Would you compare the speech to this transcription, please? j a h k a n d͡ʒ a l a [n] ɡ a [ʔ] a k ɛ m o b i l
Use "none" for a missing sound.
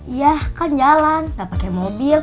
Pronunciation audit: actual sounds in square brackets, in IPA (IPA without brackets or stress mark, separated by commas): n, p